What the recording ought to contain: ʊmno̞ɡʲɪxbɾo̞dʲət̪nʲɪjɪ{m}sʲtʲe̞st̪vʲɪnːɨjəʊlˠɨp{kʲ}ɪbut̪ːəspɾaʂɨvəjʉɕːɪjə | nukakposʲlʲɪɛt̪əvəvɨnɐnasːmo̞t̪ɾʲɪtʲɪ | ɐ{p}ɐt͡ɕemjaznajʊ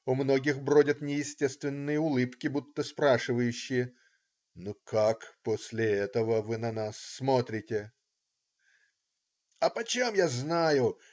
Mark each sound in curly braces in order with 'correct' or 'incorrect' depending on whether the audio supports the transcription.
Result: incorrect: none, correct, correct

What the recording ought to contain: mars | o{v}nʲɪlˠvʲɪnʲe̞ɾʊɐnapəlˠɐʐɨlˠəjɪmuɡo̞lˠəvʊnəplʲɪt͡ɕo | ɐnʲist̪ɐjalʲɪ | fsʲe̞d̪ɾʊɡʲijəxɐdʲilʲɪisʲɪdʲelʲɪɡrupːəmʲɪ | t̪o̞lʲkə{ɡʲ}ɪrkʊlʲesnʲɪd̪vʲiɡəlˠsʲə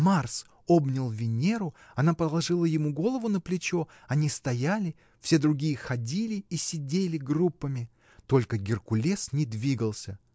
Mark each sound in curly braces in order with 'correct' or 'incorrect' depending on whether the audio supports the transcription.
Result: incorrect: b, correct

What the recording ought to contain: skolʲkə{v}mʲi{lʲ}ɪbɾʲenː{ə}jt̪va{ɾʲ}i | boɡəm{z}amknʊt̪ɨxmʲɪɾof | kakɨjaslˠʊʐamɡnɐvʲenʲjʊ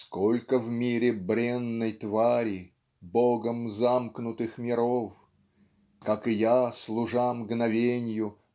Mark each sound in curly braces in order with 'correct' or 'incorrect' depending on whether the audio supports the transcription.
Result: correct, incorrect: ɾʲ, correct, correct, correct

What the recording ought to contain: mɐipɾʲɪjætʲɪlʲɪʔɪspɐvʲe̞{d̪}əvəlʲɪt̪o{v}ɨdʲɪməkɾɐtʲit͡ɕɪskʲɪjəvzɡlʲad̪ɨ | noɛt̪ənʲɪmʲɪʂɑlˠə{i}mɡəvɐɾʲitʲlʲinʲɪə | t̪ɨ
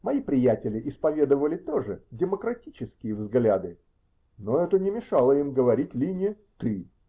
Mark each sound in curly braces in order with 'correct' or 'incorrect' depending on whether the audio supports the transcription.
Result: correct, incorrect: ʐ, correct

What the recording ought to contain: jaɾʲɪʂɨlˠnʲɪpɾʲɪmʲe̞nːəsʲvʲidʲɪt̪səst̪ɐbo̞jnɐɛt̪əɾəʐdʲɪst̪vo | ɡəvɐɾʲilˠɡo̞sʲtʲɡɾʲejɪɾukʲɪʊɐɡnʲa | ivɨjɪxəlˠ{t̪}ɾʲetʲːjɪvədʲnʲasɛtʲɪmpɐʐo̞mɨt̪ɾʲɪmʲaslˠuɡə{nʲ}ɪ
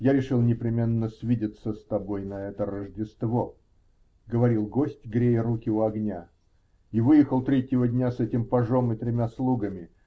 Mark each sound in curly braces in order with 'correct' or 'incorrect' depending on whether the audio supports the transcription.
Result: correct, incorrect: mʲ

